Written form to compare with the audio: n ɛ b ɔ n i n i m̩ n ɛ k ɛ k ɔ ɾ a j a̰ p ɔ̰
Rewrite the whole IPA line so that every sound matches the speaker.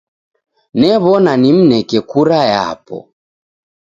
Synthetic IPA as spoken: n ɛ β ɔ n a n i m̩ n ɛ k ɛ k u ɾ a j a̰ p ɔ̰